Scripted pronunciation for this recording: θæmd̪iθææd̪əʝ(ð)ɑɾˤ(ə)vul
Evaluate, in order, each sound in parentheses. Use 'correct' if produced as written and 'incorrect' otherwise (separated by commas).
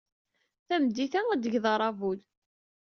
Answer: correct, incorrect